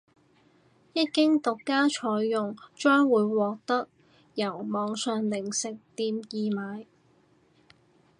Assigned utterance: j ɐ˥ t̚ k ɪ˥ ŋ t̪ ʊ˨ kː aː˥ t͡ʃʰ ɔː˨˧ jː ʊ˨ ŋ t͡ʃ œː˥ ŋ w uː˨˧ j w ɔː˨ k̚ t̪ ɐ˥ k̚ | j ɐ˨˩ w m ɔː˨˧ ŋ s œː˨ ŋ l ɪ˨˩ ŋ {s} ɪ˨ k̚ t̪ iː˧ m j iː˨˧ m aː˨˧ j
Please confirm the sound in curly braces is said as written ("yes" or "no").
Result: yes